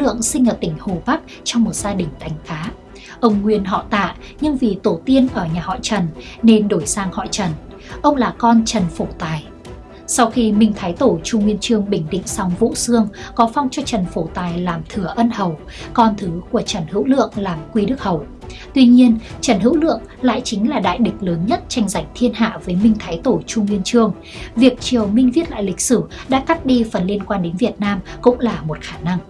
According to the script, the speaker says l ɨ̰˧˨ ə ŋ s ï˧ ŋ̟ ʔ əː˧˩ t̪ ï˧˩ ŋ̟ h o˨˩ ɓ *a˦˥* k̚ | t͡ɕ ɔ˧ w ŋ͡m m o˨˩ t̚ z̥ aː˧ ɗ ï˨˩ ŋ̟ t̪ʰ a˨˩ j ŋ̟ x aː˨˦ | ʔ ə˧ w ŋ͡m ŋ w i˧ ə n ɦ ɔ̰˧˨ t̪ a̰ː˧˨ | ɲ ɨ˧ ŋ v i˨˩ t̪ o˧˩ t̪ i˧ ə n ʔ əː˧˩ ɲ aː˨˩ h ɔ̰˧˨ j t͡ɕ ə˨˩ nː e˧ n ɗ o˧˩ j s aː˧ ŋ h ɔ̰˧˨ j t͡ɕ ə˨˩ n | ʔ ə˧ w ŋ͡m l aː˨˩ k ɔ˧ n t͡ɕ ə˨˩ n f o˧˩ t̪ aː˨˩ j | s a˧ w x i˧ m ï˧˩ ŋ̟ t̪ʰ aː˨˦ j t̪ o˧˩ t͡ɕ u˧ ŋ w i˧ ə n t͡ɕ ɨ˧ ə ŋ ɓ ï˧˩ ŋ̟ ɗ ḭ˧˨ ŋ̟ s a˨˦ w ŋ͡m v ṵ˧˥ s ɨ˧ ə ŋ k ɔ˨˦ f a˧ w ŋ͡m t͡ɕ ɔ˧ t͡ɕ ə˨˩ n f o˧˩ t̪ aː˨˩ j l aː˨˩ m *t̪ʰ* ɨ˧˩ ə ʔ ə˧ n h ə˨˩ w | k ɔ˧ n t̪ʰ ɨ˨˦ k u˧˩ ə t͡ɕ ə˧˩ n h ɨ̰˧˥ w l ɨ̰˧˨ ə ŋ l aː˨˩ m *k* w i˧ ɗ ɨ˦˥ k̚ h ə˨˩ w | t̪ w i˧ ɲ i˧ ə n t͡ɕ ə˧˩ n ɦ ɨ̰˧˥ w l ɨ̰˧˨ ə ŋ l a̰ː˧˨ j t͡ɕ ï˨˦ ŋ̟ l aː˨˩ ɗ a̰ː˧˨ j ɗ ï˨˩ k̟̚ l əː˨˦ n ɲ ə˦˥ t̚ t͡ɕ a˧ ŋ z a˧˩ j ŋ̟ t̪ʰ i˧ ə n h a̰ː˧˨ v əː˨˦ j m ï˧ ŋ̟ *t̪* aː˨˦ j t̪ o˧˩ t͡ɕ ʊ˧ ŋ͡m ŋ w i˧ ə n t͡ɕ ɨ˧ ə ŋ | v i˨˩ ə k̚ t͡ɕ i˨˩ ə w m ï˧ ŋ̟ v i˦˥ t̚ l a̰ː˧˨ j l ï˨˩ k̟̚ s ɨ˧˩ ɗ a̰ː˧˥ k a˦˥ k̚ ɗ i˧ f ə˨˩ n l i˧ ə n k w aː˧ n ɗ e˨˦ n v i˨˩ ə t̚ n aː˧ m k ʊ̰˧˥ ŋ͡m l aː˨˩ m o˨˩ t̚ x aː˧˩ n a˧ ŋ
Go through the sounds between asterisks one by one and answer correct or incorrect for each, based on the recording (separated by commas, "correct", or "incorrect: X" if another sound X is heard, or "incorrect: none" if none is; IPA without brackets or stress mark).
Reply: correct, correct, correct, incorrect: t̪ʰ